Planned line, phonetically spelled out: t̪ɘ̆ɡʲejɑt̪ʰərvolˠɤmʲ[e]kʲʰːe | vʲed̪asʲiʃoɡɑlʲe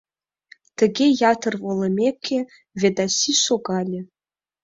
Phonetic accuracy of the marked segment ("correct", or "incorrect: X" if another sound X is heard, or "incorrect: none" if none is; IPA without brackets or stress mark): correct